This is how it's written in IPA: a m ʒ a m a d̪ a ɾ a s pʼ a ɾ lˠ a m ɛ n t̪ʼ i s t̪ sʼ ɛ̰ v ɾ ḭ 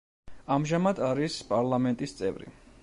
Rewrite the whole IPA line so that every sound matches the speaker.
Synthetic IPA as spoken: a m ʒ a m a d̪ a ɾ i s pʼ a ɾ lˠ a m ɛ n t̪ʼ i s t̪ sʼ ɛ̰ v ɾ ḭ